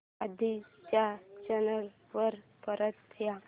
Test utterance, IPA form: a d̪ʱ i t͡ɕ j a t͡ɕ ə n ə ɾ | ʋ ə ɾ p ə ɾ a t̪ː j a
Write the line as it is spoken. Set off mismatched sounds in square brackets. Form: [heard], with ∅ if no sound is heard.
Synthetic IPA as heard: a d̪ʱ i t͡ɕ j a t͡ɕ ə n ə [l] | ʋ ə ɾ p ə ɾ [ə] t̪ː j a